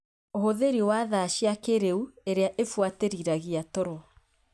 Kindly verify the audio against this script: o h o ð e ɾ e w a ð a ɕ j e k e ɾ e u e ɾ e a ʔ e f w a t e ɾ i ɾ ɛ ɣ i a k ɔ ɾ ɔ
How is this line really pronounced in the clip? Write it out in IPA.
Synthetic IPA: o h o ð e ɾ i w a ð a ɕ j a k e ɾ e u e ɾ e a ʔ e f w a t e ɾ i ɾ a ɣ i a t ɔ ɾ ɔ